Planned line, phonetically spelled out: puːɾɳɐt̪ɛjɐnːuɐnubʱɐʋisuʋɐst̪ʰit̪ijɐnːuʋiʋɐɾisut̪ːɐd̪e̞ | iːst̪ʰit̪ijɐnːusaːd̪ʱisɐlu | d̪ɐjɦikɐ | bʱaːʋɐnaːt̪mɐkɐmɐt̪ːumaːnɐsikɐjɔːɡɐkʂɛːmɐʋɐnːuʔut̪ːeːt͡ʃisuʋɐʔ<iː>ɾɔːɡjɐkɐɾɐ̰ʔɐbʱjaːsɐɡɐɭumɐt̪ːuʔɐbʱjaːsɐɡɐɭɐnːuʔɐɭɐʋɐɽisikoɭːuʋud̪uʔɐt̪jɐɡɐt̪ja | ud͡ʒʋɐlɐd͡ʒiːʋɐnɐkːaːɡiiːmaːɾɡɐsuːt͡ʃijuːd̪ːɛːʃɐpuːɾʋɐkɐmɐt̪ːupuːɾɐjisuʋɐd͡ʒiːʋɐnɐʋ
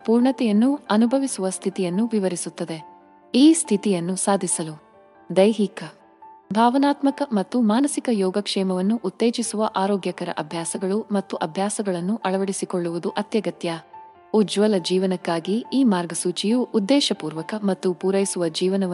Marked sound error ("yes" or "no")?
yes